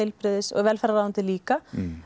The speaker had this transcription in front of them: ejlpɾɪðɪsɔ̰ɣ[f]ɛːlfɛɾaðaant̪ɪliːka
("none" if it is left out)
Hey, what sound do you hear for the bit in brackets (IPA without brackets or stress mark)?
v